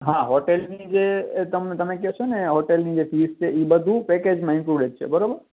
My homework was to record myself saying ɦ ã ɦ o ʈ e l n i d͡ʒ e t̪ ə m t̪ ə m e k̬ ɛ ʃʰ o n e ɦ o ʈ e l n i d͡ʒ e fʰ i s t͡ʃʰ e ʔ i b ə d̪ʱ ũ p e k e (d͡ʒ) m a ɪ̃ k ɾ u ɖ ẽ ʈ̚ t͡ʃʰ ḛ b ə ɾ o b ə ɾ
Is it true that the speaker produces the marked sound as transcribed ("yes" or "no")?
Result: yes